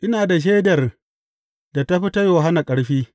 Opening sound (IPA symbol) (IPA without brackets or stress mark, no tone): ʔ